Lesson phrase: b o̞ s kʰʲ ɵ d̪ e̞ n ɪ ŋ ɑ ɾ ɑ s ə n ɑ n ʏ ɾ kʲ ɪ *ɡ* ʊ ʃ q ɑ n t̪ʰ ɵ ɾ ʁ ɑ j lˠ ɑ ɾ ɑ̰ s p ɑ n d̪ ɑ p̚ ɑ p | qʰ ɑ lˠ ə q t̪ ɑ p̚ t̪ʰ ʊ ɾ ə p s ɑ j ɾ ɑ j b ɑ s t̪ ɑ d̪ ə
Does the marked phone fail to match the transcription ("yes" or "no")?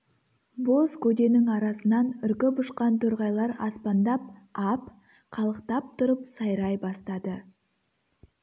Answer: yes